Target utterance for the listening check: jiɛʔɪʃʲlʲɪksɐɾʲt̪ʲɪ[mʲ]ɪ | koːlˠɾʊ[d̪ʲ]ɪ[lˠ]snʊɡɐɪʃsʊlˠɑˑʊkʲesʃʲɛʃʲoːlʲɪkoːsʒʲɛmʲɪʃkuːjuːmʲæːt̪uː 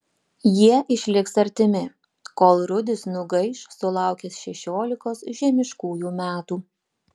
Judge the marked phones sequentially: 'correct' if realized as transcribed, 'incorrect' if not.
correct, correct, incorrect: none

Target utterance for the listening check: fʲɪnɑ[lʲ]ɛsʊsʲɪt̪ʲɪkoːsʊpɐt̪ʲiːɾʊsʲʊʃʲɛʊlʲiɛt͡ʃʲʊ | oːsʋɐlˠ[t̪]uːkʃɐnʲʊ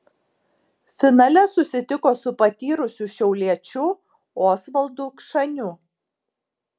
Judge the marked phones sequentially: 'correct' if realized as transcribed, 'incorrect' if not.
correct, incorrect: d̪

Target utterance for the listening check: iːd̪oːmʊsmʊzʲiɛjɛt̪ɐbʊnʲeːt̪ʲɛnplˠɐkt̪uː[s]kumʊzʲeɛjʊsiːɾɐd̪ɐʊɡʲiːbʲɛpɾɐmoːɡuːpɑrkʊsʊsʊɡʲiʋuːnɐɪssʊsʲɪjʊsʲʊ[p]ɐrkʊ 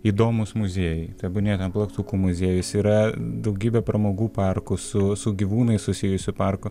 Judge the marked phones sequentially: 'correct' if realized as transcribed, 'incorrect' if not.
incorrect: none, correct

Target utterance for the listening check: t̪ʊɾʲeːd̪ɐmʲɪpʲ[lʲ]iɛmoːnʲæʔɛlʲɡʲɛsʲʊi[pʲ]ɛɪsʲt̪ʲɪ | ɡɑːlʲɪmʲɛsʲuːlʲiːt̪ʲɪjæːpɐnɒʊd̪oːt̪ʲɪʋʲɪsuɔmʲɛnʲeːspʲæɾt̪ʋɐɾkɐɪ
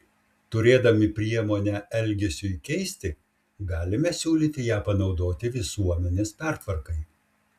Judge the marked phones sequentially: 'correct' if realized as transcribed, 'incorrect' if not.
incorrect: ɾʲ, incorrect: kʲ

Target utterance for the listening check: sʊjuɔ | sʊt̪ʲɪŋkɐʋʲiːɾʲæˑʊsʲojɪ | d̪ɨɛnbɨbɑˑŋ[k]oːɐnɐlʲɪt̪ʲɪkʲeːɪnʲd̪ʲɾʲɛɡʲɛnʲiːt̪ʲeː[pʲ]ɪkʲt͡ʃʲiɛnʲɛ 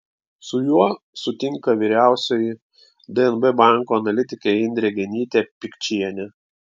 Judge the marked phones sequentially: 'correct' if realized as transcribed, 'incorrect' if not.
correct, correct

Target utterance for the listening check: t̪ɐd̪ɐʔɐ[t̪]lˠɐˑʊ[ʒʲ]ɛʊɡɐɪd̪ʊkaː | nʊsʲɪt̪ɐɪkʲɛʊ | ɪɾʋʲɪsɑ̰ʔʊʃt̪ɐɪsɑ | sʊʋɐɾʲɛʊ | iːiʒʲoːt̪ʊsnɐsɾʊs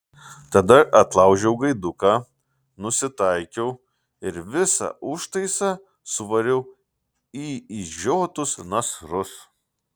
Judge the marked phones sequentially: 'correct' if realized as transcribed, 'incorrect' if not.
correct, correct

